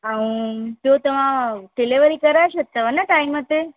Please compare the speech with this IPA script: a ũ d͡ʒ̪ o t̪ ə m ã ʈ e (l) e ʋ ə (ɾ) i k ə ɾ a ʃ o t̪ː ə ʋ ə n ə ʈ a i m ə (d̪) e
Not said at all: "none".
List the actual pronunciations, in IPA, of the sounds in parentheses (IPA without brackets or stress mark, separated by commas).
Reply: l, ɾ, t̪